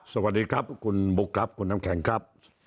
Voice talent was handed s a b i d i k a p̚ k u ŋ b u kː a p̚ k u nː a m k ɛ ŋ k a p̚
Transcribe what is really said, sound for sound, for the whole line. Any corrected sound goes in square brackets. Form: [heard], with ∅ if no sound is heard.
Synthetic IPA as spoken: s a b [a] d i k a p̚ k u [n] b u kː a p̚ k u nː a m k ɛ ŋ k a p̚